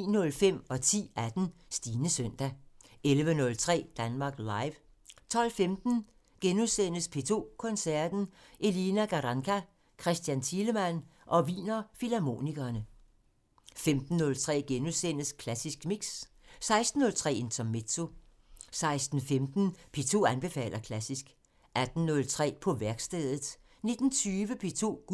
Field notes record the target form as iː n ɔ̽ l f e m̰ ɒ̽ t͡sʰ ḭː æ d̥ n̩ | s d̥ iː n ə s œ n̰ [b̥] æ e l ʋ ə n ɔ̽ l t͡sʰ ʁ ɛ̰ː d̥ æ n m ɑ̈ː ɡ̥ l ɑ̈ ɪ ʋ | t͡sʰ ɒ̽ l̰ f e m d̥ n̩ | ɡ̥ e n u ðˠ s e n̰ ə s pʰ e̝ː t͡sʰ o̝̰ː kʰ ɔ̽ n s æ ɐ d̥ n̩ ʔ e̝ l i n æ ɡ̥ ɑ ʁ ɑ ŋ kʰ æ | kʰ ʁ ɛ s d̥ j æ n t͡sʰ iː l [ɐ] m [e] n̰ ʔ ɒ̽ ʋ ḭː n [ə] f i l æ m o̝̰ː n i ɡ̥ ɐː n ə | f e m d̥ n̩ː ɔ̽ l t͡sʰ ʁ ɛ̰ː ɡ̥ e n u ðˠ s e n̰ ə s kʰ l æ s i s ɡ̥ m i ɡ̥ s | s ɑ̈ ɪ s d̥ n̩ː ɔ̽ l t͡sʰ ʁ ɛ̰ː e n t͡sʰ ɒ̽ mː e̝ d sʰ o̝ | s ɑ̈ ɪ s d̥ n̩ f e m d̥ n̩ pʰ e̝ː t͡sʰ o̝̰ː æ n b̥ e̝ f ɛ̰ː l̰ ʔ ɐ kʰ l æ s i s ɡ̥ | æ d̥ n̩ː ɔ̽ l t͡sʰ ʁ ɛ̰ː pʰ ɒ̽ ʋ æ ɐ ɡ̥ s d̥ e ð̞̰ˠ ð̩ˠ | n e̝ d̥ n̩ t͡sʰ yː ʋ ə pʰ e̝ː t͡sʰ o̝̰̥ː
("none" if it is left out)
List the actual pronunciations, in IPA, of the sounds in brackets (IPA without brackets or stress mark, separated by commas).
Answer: d̥, ə, æ, ɐ